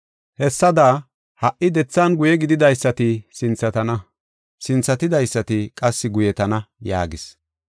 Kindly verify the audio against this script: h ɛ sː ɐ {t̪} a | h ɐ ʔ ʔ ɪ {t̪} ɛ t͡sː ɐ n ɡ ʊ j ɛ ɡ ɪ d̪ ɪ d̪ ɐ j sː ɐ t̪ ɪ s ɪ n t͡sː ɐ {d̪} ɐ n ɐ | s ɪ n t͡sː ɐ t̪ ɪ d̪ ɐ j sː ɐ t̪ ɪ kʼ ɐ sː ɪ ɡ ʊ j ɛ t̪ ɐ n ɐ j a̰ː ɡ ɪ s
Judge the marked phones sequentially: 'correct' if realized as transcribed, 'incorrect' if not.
incorrect: d̪, incorrect: d̪, incorrect: t̪

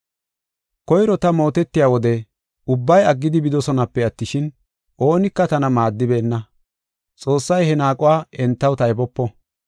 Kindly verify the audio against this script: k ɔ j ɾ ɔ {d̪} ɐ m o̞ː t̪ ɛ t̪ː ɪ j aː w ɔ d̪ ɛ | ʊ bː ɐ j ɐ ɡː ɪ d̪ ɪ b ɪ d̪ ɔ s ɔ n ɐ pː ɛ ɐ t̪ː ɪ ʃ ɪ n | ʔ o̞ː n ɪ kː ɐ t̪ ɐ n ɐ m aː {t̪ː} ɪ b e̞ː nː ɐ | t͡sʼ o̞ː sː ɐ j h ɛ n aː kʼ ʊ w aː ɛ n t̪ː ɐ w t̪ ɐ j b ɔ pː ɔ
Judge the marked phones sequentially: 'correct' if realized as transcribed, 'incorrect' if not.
incorrect: t̪, incorrect: d̪ː

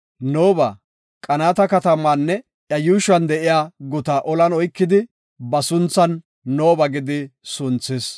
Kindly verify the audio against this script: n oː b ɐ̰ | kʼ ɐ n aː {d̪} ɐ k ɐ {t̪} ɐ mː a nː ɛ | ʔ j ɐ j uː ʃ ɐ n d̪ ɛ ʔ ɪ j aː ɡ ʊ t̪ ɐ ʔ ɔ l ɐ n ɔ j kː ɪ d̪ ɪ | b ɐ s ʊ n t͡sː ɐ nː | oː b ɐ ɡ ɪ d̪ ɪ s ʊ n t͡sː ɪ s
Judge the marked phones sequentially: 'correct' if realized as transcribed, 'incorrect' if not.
incorrect: t̪, correct

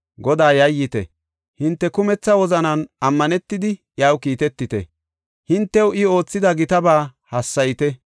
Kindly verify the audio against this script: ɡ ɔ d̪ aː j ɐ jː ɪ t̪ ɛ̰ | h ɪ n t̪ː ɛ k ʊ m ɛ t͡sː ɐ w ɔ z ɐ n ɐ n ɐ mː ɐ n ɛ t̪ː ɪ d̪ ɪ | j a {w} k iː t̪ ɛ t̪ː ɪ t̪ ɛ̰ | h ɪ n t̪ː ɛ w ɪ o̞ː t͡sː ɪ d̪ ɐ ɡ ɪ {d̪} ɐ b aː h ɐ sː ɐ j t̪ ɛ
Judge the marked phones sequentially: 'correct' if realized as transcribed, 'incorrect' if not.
correct, incorrect: t̪

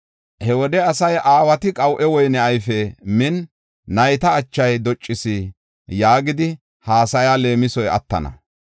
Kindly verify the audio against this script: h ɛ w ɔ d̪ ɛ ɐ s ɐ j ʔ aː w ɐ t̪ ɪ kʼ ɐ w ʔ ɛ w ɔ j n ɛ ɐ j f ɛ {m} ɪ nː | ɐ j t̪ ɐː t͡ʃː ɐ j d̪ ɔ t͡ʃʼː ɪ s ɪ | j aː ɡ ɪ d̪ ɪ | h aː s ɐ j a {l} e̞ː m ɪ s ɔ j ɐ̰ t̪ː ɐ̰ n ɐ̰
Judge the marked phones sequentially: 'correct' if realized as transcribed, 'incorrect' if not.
correct, correct

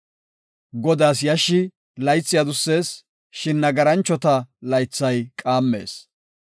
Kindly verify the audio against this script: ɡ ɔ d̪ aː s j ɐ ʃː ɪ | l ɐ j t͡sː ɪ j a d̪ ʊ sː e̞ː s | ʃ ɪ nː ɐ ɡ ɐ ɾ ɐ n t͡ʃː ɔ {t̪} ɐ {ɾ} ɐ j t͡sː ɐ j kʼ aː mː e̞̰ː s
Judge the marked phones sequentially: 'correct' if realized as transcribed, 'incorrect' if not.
correct, incorrect: l

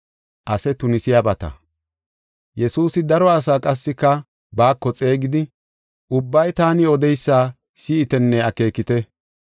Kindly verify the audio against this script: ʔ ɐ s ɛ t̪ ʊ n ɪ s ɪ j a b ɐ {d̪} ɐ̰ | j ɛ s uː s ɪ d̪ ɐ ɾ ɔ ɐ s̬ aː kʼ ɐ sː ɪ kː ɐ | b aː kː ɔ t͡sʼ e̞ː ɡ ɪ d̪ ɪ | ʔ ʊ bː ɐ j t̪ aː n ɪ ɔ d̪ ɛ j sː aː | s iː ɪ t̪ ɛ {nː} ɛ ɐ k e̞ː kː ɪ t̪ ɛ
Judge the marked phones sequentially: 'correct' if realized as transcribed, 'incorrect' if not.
incorrect: t̪, correct

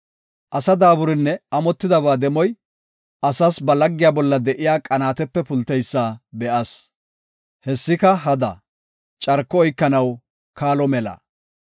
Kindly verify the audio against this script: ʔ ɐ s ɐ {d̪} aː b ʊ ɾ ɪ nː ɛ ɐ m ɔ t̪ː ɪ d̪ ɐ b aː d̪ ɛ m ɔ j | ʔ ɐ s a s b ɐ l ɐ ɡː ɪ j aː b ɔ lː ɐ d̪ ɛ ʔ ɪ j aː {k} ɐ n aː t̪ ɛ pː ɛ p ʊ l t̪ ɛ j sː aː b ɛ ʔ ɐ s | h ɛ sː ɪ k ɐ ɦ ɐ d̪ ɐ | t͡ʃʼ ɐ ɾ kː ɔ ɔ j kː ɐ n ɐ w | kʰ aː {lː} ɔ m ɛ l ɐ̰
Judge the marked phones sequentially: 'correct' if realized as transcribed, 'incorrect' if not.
correct, incorrect: kʼ, incorrect: l

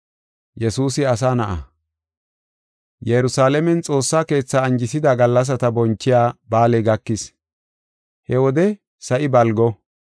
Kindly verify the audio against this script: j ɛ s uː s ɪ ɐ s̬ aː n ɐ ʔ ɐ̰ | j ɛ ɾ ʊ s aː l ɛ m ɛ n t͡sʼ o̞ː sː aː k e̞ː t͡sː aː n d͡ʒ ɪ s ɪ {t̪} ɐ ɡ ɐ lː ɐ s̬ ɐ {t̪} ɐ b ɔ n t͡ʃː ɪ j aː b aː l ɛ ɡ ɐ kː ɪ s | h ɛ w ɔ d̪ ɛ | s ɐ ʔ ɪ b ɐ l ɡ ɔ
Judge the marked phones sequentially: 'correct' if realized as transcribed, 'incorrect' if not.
incorrect: d̪, correct

